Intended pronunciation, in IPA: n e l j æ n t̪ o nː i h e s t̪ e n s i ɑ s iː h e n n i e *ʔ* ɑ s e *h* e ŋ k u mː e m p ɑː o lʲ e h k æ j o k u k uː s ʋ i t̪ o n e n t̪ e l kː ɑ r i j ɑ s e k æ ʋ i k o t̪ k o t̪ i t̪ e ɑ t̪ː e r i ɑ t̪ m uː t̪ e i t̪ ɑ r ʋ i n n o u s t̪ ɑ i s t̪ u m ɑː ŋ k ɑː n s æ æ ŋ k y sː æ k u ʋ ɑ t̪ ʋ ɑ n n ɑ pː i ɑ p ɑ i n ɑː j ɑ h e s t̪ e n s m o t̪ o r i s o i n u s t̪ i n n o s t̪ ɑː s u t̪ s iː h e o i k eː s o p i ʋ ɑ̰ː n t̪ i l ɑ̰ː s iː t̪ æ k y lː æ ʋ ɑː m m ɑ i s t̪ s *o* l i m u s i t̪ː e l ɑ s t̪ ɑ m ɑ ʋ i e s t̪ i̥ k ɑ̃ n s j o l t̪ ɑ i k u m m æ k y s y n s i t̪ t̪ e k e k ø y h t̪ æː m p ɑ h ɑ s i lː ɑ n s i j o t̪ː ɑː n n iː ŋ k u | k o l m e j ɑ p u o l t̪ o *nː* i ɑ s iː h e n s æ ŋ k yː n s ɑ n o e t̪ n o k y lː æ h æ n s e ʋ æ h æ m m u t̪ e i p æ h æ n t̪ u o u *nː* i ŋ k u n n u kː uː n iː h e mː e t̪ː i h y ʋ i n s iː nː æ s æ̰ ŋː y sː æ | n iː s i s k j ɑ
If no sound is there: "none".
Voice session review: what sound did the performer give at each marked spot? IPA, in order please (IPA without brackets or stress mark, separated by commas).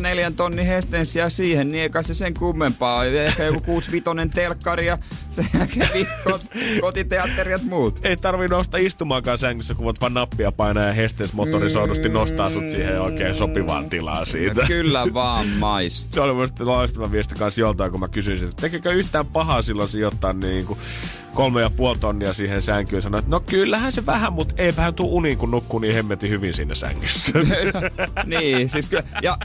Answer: k, s, o, nː, n